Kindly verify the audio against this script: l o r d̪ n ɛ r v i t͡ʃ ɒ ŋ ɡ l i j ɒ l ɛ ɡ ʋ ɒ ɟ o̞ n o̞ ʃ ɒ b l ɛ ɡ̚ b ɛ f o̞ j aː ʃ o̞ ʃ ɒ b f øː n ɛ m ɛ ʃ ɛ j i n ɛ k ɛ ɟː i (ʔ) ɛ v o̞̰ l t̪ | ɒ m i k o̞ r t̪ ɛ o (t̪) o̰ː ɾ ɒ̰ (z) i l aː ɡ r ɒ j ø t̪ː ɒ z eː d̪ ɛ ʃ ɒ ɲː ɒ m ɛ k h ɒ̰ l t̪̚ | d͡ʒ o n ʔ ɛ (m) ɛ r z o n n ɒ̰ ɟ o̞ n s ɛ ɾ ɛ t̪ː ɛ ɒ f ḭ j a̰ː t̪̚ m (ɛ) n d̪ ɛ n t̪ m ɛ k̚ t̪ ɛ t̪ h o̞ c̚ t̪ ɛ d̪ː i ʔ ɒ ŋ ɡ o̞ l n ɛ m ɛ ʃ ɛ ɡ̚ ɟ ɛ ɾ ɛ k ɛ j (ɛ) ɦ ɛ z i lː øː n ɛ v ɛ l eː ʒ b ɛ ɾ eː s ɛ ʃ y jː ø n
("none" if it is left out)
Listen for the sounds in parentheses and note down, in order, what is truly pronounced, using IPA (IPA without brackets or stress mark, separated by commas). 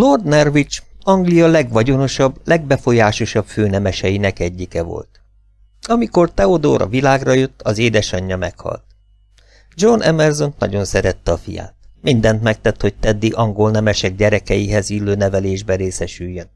k, d̪, v, m, i, i